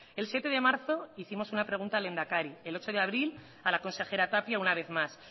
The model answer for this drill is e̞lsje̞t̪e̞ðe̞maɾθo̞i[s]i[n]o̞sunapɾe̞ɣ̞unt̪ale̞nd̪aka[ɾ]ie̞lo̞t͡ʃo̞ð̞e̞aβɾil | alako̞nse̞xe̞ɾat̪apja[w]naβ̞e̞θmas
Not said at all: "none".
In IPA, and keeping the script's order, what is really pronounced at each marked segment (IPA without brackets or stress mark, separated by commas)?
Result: θ, m, ɾ, u